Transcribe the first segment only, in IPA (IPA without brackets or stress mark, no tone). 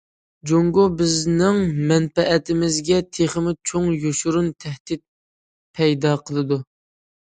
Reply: d͡ʒ